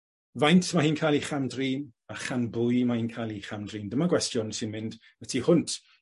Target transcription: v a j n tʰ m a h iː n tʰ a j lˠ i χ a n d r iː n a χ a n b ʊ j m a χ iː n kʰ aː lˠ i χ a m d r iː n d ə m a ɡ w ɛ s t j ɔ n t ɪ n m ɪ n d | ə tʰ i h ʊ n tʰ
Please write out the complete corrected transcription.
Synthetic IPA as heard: v a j n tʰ m a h iː n kʰ a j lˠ i χ a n d r iː n a χ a n b ʊ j m a h iː n kʰ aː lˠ i χ a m d r iː n d ə m a ɡ w ɛ s t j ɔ n s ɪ n m ɪ n d | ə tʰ i h ʊ n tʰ